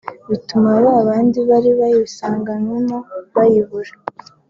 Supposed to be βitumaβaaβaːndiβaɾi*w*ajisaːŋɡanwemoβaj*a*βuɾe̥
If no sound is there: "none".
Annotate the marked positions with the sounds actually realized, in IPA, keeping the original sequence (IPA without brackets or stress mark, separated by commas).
β, i